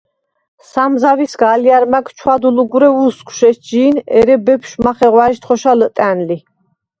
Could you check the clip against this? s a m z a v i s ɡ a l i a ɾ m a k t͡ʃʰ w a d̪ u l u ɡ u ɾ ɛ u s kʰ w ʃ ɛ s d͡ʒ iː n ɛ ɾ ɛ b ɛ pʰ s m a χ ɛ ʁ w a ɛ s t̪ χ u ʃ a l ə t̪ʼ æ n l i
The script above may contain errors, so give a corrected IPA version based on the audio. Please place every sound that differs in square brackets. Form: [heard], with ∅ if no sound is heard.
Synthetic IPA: s a m z a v i s ɡ a l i a ɾ m a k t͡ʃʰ w a d̪ u l u ɡ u ɾ ɛ u s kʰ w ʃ ɛ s d͡ʒ iː n ɛ ɾ ɛ b ɛ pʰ [ʃ] m a χ ɛ ʁ w a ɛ [ʃ] t̪ χ [ɔ] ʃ a l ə t̪ʼ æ n l i